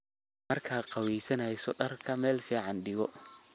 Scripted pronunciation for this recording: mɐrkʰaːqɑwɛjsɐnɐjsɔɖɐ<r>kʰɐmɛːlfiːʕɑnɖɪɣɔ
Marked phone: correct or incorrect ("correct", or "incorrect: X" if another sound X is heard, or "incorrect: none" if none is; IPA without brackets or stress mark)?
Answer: correct